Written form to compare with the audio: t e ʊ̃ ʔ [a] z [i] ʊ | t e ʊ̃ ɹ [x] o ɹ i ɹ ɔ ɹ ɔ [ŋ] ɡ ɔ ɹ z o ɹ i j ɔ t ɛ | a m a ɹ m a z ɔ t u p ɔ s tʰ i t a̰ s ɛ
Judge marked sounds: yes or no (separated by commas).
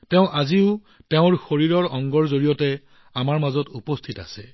yes, yes, yes, yes